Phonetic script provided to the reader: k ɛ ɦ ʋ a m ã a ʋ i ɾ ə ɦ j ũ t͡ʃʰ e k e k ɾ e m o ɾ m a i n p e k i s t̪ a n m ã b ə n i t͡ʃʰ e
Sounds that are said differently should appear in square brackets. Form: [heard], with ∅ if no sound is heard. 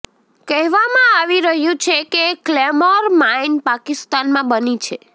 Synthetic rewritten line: k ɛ ɦ ʋ a m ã a ʋ i ɾ ə ɦ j ũ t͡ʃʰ e k e k [l] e m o ɾ m a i n p [a] k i s t̪ a n m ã b ə n i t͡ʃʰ e